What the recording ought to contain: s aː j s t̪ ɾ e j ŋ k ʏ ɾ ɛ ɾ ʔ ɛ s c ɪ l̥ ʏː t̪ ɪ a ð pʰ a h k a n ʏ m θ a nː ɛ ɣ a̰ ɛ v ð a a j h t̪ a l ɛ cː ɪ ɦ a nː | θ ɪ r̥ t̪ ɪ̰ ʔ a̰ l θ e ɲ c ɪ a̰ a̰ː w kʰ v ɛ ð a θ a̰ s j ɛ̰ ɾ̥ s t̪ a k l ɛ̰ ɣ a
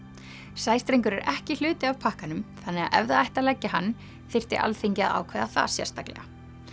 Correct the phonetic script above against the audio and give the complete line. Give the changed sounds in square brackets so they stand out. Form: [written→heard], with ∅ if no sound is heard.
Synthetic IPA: s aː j s t̪ ɾ e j ŋ k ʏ ɾ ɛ ɾ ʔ ɛ [s→h] c ɪ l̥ ʏː t̪ ɪ a [ð→v] pʰ a h k a n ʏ m θ a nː ɛ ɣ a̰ ɛ v ð a a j h t̪ a l ɛ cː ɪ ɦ a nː | θ ɪ r̥ t̪ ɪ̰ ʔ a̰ l θ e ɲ c ɪ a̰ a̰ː w kʰ v ɛ ð a θ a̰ s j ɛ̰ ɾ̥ s t̪ a k l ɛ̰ ɣ a